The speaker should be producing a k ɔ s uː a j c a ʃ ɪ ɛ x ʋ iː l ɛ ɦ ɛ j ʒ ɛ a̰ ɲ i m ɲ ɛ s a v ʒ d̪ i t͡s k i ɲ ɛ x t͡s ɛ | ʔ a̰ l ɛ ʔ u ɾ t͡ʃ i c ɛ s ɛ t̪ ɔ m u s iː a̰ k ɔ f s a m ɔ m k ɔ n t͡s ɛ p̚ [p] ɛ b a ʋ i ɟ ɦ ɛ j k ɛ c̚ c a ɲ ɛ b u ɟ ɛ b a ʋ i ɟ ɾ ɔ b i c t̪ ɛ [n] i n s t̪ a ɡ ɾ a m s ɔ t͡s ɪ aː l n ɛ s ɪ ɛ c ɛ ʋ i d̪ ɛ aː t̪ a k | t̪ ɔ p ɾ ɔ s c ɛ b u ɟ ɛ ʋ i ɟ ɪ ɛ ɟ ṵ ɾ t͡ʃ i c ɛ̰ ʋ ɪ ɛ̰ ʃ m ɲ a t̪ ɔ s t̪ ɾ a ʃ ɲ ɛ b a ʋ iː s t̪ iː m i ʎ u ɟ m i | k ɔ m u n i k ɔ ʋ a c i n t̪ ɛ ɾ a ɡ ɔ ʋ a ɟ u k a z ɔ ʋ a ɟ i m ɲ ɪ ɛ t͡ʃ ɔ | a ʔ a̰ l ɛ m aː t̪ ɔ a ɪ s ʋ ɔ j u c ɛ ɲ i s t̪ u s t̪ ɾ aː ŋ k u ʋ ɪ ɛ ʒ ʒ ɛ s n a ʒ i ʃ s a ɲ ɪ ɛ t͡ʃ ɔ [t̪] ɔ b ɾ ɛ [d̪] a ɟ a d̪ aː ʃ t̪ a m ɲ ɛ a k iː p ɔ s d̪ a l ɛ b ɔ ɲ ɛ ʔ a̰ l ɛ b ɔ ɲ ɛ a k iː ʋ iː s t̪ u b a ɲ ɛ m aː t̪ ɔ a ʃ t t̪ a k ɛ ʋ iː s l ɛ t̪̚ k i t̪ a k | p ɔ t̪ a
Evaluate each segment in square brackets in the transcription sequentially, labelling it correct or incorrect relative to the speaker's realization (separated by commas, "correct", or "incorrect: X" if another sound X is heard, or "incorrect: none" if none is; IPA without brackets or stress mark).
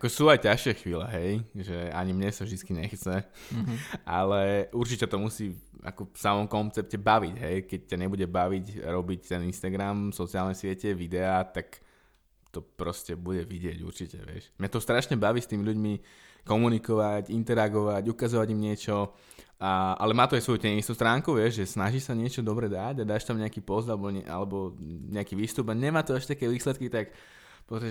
incorrect: c, correct, incorrect: d̪, correct